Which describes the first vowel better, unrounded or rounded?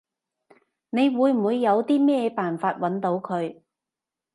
unrounded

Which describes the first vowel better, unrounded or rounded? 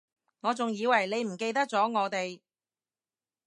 rounded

